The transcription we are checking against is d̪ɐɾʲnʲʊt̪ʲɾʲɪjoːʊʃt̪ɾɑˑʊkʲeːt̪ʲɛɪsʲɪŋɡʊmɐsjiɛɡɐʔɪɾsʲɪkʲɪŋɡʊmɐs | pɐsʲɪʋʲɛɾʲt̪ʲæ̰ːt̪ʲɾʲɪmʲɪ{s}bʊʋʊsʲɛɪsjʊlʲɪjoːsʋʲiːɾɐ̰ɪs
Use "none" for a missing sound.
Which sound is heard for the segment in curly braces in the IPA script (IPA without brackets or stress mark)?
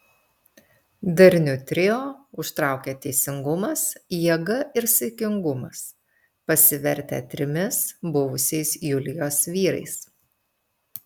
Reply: s